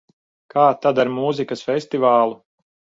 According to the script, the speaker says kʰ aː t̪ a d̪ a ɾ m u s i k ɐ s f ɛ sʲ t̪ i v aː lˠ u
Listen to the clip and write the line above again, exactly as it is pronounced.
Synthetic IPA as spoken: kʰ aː t̪ a d̪ a ɾ m u z i k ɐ s f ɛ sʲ t̪ i v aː lˠ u